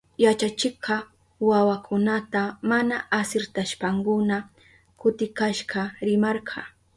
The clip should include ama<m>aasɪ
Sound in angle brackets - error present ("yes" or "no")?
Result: yes